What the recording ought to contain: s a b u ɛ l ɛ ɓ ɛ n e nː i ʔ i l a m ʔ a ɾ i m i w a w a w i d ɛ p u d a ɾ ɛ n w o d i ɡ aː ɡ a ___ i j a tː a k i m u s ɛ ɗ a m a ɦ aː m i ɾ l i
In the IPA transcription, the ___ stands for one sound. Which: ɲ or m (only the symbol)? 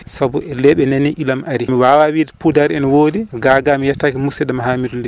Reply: m